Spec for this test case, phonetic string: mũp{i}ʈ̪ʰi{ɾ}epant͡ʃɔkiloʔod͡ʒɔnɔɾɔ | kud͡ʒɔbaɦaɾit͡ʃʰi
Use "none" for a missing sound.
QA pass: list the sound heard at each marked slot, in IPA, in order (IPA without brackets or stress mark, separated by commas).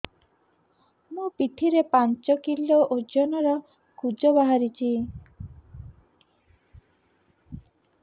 i, ɾ